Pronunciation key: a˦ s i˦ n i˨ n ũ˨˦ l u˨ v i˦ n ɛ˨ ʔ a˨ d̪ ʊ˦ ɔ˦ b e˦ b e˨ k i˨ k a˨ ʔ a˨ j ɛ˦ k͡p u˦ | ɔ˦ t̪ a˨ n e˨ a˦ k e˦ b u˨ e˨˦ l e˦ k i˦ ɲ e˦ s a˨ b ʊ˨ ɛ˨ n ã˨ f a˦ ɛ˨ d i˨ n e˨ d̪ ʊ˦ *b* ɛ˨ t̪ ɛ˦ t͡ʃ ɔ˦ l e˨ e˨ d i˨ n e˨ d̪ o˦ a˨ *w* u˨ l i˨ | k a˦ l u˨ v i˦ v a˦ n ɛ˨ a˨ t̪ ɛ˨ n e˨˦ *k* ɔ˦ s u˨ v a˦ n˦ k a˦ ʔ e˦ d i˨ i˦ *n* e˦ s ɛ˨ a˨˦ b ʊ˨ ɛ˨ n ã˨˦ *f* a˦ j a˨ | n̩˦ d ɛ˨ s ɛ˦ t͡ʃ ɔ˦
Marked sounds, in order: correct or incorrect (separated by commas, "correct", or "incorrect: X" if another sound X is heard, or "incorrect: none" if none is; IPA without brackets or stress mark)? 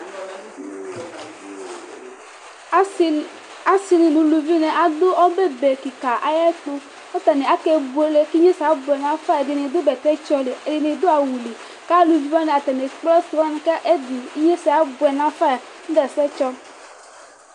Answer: correct, correct, incorrect: k͡p, incorrect: ɲ, correct